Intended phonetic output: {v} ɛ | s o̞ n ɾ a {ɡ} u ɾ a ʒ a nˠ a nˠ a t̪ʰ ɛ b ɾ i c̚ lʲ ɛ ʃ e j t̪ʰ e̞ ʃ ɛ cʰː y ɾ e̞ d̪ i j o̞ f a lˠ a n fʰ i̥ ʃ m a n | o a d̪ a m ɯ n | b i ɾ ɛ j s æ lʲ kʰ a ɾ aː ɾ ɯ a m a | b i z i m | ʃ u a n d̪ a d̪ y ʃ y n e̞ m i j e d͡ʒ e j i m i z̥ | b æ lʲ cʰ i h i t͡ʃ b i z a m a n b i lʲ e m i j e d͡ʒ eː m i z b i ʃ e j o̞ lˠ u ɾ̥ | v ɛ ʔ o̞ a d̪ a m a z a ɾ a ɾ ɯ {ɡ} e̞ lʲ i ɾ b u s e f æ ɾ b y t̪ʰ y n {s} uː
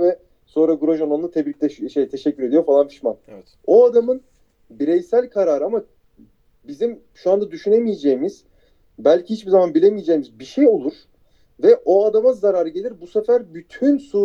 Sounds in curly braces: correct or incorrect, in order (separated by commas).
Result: correct, correct, incorrect, correct